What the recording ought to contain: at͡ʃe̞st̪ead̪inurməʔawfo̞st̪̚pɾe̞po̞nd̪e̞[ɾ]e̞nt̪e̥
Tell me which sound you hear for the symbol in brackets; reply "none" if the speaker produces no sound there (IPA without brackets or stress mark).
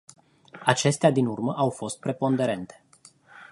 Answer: ɾ